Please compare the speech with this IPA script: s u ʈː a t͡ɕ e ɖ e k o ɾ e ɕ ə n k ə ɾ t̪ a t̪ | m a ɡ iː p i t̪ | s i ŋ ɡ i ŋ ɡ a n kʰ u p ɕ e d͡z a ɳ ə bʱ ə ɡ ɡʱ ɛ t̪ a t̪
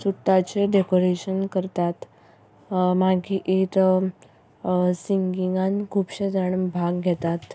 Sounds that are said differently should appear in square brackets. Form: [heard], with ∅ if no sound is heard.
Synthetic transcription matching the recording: s u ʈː a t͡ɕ e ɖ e k o ɾ e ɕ ə n k ə ɾ t̪ a t̪ | m a ɡ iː [ʔ] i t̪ | s i ŋ ɡ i ŋ ɡ a n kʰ u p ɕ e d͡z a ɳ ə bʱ [a] ɡ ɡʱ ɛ t̪ a t̪